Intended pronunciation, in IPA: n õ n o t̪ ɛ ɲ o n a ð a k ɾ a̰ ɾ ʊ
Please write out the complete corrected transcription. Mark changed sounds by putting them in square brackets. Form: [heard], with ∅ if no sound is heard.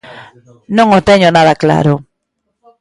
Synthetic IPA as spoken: n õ [ŋ] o t̪ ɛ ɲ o n a ð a k [l] a̰ ɾ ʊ